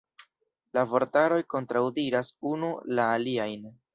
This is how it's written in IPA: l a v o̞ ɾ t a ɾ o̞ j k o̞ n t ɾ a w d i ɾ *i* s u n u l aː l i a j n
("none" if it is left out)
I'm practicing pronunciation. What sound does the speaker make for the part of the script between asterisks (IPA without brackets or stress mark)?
a